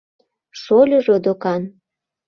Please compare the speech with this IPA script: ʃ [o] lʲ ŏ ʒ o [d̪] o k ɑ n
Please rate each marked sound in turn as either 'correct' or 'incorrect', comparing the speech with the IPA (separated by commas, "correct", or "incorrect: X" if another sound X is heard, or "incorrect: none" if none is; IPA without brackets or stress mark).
correct, correct